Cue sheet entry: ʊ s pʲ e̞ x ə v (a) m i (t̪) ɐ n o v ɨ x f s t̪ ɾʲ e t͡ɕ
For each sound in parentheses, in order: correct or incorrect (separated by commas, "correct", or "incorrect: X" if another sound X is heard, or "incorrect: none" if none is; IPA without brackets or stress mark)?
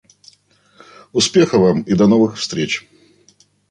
correct, incorrect: d̪